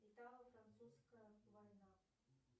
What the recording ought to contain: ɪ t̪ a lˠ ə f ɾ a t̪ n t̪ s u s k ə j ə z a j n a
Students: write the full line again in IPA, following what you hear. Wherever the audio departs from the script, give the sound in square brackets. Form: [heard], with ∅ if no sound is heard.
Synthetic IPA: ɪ t̪ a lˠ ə f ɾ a [∅] n t̪ s u s k ə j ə [v] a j n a